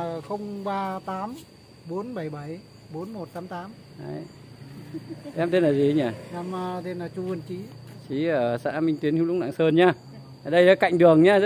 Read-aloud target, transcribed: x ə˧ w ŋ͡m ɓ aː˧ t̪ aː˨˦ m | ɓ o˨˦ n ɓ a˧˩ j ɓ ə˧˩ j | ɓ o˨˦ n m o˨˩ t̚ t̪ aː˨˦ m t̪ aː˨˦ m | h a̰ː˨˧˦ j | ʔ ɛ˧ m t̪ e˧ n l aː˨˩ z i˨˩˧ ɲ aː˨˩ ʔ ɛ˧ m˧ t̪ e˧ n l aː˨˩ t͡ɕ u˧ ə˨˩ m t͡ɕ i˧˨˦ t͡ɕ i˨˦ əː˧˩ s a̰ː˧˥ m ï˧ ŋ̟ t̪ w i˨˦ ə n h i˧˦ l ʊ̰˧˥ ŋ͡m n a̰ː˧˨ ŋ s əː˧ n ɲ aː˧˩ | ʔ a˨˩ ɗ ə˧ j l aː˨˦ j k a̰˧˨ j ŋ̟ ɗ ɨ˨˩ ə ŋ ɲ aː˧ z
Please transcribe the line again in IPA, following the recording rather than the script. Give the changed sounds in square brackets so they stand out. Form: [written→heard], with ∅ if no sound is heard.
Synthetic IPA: x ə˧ w ŋ͡m ɓ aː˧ t̪ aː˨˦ m | ɓ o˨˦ n ɓ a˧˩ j ɓ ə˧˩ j | ɓ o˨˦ n m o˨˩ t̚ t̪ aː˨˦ m t̪ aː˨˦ m | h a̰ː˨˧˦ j | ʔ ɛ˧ m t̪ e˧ n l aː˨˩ z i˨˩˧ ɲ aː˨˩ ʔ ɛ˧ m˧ t̪ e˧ n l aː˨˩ t͡ɕ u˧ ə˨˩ [m→n] t͡ɕ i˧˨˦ t͡ɕ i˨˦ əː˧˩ s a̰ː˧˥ m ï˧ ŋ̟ t̪ w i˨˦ ə n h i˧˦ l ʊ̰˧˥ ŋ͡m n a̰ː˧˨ ŋ s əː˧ n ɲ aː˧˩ | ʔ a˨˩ ɗ ə˧ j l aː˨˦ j k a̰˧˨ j ŋ̟ ɗ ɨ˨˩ ə ŋ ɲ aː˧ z

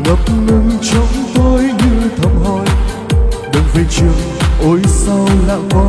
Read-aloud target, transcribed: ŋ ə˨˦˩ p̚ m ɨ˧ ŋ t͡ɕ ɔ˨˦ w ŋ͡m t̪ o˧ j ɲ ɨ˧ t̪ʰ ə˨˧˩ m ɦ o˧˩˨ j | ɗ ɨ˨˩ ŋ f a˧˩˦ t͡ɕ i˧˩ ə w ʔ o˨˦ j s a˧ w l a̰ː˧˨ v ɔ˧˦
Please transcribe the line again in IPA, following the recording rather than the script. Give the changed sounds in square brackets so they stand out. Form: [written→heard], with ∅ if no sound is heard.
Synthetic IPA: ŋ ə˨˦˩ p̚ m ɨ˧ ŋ t͡ɕ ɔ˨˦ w ŋ͡m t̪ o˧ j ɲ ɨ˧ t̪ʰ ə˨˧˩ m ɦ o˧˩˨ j | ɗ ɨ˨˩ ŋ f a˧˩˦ t͡ɕ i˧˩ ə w ʔ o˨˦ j s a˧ w l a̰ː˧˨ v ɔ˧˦

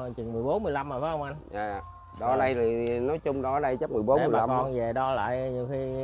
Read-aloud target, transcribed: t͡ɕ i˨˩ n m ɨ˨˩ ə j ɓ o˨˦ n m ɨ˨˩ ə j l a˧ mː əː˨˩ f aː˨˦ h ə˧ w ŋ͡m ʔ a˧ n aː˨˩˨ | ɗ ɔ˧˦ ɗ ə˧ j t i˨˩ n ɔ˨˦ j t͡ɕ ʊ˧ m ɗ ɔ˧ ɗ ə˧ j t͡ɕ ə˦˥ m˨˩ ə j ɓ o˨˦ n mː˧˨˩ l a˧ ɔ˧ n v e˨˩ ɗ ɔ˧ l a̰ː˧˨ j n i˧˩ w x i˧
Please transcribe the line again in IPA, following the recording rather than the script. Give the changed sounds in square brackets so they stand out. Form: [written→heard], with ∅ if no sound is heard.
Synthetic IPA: t͡ɕ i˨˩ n m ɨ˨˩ ə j ɓ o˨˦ n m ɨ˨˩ ə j l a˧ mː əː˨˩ f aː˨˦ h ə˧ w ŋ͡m ʔ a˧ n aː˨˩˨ | ɗ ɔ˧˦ ɗ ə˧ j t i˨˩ n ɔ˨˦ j t͡ɕ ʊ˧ [m→ŋ͡m] ɗ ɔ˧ ɗ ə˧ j t͡ɕ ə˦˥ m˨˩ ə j ɓ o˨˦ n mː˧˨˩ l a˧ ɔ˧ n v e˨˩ ɗ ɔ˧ l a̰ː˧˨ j [n→ɲ] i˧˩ w x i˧

